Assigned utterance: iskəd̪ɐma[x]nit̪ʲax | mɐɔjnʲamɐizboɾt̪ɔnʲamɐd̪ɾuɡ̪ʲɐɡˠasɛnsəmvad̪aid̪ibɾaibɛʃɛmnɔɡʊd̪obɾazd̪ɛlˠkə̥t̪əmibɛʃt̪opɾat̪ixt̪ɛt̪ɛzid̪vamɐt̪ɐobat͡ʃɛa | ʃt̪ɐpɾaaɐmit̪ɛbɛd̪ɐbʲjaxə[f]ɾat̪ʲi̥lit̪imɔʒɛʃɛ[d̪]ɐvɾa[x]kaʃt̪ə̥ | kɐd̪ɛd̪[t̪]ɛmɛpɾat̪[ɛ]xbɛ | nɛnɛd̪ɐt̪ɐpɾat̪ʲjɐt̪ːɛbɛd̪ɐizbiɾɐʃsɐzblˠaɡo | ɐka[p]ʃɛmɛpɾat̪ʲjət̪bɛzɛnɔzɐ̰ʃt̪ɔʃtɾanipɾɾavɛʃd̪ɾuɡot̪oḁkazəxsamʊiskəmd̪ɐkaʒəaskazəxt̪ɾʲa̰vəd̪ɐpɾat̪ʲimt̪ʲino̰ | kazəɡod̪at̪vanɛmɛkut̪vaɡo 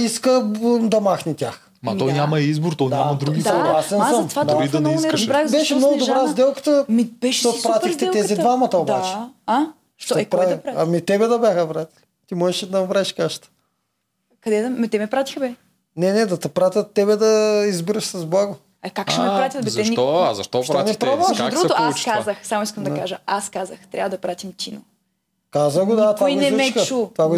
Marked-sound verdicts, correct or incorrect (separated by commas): correct, incorrect, correct, incorrect, correct, incorrect, incorrect